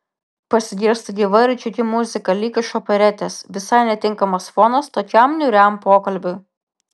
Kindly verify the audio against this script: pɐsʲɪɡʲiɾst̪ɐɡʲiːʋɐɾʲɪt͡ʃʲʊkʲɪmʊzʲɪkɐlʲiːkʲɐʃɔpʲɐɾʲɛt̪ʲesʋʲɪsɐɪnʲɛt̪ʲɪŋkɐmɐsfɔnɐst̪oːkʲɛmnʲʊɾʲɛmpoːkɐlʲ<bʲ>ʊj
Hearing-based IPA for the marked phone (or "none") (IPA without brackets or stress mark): bʲ